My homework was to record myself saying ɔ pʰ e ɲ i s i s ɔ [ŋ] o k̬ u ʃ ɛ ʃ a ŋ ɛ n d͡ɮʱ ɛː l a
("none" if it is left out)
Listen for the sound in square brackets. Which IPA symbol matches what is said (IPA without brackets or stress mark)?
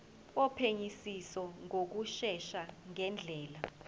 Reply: ŋ